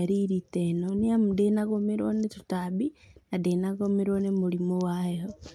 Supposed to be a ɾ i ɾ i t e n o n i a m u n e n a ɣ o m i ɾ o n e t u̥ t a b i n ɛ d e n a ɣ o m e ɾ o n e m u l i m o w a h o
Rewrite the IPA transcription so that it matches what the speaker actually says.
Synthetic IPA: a ɾ i ɾ i t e n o n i a m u d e n a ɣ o m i ɾ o n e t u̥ t a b i n a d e n a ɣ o m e ɾ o n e m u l i m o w a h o

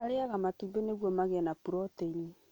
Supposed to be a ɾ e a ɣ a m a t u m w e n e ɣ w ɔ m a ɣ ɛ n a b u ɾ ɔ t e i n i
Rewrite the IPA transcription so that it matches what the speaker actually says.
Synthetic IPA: a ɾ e a ɣ a m a t u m b e n e ɣ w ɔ m a ɣ ɛ n a p u ɾ ɔ t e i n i

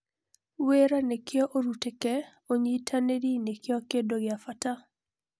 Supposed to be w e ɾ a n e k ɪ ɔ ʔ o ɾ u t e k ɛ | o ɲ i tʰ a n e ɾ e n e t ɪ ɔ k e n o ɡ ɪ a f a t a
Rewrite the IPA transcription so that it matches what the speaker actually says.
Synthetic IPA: w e ɾ a n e k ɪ ɔ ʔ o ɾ u t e k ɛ | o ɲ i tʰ a n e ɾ i n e k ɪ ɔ k e d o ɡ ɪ a f a t a

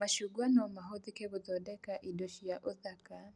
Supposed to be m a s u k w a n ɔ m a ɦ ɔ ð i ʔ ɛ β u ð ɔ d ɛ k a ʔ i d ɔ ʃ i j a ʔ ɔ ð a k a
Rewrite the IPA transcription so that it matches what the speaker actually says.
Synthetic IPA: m a ʃ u ɡ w a n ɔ m a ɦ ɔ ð i k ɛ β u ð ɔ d ɛ k a ʔ i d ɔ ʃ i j a ʔ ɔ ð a k a

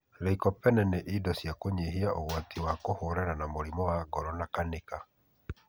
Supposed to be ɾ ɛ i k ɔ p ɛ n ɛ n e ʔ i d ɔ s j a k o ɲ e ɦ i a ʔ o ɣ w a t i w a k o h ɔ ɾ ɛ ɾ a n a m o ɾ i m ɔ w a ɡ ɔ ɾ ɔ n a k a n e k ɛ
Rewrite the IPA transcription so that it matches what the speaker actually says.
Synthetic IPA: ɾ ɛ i k ɔ p ɛ n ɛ n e ʔ i d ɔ s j a k o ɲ e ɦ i a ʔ o ɣ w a t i w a k o h o ɾ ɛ ɾ a n a m o ɾ i m ɔ w a ɡ ɔ ɾ ɔ n a k a n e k a

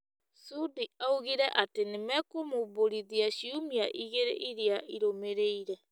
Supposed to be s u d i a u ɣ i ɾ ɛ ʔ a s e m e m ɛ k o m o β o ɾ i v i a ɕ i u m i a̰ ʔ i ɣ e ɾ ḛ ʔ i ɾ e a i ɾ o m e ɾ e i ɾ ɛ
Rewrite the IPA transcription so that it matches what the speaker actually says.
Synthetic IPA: s u d i a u ɣ i ɾ ɛ ʔ a t e n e m ɛ k o m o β o ɾ i ð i a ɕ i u m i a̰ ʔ i ɣ e ɾ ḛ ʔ i ɾ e a i ɾ o m e ɾ e i ɾ ɛ

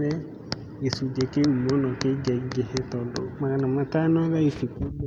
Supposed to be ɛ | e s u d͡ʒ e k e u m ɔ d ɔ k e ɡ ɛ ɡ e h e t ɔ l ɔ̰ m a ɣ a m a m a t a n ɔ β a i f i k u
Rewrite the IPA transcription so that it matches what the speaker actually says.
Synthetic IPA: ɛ | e s u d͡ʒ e k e u m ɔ n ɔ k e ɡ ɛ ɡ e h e t ɔ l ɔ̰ m a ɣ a n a m a t a n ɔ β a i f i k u

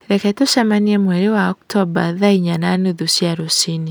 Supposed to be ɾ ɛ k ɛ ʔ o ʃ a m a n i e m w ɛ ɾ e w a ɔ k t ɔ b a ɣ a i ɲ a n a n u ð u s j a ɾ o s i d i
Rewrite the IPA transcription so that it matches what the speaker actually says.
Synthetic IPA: ɾ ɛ k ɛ t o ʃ a m a n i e m w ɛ ɾ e w a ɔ k t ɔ b a ð a i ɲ a n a n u ð u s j a ɾ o s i n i

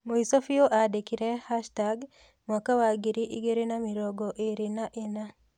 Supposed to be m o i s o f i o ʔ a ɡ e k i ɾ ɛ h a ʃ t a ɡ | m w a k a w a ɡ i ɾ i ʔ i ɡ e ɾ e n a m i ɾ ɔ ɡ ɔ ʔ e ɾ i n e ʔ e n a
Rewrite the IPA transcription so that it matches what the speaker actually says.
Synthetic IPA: m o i s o f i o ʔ a d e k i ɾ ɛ h a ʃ t a ɡ | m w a k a w a ɡ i ɾ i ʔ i ɡ e ɾ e n a m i ɾ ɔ ɡ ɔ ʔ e ɾ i n a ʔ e n a

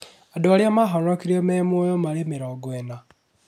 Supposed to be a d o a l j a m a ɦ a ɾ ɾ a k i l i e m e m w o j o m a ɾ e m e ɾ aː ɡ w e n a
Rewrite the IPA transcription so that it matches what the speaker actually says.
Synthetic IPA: a d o a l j a m a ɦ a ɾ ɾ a k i ɾ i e m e m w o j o m a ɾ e m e ɾ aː ɡ w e n a

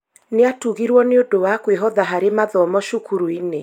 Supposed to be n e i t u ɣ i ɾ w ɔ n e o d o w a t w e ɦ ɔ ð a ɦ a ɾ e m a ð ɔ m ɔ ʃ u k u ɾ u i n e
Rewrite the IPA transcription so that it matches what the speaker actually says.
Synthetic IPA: n e a t u ɣ i ɾ w ɔ n e o d o w a k w e ɦ ɔ ð a ɦ a ɾ e m a ð ɔ m ɔ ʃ u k u ɾ u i n e

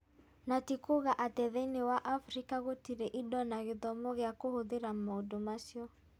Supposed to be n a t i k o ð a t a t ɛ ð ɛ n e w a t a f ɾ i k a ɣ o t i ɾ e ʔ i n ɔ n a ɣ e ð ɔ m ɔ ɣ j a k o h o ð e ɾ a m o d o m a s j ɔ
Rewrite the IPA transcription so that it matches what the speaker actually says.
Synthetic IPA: n a t i k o ɣ a ʔ a t ɛ ð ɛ n e w a ʔ a f ɾ i k a ɣ o t i ɾ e ʔ i d ɔ n a ɣ e ð ɔ m ɔ ɣ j a k o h o ð e ɾ a m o d o m a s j ɔ

